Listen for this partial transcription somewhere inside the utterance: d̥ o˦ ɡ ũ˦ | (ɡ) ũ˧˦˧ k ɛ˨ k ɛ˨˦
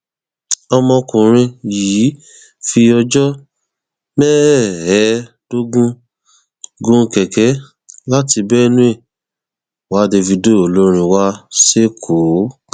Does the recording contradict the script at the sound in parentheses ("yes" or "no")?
no